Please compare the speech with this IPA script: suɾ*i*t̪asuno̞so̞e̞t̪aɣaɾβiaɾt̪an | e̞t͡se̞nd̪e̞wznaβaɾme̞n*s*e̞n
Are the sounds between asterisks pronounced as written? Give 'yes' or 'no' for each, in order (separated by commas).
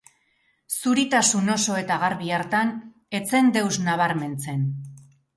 yes, no